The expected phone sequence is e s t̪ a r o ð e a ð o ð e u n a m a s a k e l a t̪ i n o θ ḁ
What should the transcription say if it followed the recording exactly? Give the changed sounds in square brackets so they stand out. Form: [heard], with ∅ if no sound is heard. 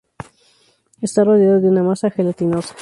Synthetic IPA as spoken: e s t̪ a r o ð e a ð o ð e u n a m a s a [x] e l a t̪ i n o [s] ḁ